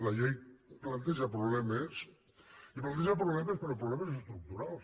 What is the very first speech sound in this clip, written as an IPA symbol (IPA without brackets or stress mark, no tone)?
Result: l